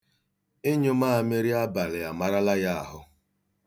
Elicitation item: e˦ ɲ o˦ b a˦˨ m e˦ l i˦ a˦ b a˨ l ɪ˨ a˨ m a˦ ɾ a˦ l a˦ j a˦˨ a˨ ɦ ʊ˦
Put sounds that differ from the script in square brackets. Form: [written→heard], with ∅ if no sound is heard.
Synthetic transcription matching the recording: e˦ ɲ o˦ [b→m] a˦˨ m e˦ [l→ɾ] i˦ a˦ b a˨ l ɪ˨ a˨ m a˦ ɾ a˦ l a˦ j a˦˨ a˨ ɦ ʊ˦